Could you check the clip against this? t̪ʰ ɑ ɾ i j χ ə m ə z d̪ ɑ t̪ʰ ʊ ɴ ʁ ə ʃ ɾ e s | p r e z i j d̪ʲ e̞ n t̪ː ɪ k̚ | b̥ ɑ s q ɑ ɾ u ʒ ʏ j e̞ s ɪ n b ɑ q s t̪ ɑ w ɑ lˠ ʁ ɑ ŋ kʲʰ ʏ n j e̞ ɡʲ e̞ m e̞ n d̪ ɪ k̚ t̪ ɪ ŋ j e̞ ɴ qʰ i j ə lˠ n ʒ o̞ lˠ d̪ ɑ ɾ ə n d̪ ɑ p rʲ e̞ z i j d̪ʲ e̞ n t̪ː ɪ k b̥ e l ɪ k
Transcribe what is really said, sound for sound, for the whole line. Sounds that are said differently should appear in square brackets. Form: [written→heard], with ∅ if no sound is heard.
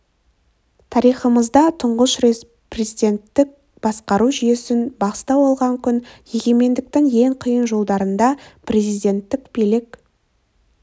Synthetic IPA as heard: t̪ʰ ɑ ɾ i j χ ə m ə z d̪ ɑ t̪ʰ ʊ ɴ ʁ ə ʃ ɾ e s | p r e z i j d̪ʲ e̞ n t̪ː ɪ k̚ | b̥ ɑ s q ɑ ɾ u ʒ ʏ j e̞ s ɪ n b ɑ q s t̪ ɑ w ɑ lˠ ʁ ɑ ŋ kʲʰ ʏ n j e̞ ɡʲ e̞ m e̞ n d̪ ɪ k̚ t̪ ɪ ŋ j e̞ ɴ qʰ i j ə [lˠ→∅] n ʒ o̞ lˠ d̪ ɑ ɾ ə n d̪ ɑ p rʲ e̞ z i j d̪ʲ e̞ n t̪ː ɪ k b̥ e l ɪ k